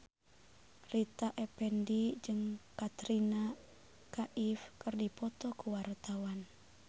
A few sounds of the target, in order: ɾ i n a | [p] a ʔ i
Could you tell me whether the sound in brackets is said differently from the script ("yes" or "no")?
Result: yes